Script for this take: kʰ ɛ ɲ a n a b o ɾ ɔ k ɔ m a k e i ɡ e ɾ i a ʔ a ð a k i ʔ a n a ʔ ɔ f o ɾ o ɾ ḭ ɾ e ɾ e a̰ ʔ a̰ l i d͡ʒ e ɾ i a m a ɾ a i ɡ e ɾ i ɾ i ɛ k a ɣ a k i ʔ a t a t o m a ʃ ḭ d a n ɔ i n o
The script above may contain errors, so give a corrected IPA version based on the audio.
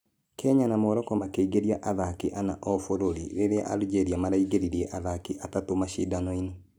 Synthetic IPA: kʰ ɛ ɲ a n a m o ɾ ɔ k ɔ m a k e i ɡ e ɾ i a ʔ a ð a k i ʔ a n a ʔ ɔ f o ɾ o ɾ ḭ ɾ e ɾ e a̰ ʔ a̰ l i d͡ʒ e ɾ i a m a ɾ a i ɡ e ɾ i ɾ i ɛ ʔ a ð a k i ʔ a t a t o m a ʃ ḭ d a n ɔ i n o

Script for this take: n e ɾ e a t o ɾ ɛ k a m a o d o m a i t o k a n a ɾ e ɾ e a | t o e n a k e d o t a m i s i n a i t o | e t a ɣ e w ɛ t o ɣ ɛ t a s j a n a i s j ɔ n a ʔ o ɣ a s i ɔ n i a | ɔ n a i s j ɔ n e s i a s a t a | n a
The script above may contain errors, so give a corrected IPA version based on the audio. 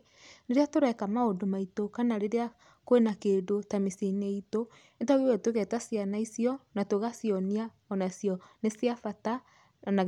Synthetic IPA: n e ɾ e a t o ɾ ɛ k a m a o d o m a i t o k a n a ɾ e ɾ e a | k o e n a k e d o t a m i s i n e i t o | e t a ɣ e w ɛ t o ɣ ɛ t a s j a n a i s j ɔ n a t o ɣ a s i ɔ n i a | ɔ n a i s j ɔ n e s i a f a t a | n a

